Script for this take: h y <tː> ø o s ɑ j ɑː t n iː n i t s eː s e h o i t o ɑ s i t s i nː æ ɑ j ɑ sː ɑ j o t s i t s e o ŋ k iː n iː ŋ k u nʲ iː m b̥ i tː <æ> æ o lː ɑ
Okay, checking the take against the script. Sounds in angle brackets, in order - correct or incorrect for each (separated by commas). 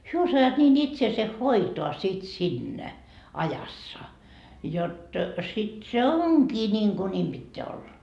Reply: incorrect, incorrect